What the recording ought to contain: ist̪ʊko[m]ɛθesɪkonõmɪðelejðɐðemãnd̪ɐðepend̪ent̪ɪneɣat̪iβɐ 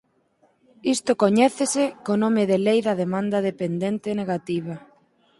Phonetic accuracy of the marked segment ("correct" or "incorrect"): incorrect